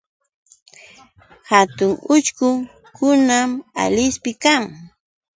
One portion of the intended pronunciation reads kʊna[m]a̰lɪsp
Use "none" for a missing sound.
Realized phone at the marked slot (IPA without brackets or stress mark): m